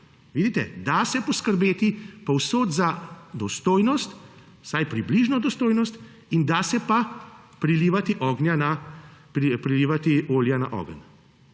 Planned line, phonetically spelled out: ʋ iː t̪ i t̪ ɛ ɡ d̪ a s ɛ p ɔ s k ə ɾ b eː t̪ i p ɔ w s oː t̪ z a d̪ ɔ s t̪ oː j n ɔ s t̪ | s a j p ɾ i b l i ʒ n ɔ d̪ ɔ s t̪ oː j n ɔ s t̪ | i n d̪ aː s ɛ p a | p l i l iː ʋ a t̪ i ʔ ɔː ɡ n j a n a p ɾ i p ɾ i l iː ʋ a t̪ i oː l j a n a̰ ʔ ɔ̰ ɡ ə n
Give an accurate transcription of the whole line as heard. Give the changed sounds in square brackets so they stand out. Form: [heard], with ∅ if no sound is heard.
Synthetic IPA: ʋ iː [d̪] i t̪ ɛ [∅] d̪ a s ɛ p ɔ s k ə ɾ b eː t̪ i p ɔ w s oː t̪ z a d̪ ɔ s t̪ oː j n ɔ s t̪ | s a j p ɾ i b l i ʒ n ɔ d̪ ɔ s t̪ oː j n ɔ s t̪ | i n d̪ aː s ɛ p a | p [ɾ] i l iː ʋ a t̪ i ʔ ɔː ɡ n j a n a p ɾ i p ɾ i l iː ʋ a t̪ i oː l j a n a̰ ʔ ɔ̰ ɡ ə n